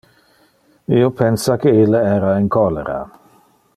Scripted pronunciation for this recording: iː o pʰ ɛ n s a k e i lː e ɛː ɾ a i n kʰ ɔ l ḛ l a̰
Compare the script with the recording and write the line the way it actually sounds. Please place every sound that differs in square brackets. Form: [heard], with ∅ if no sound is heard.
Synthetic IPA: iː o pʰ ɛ n s a k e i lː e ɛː ɾ a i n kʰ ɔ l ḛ [ɾ] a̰